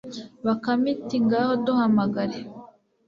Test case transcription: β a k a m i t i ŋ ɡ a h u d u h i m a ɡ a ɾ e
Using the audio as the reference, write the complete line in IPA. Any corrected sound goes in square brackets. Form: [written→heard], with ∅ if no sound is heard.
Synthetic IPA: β a k a m i t i ŋ ɡ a h [u→o] d u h [i→a] m a ɡ a ɾ e